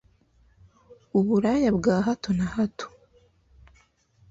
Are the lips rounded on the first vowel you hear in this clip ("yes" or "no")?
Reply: yes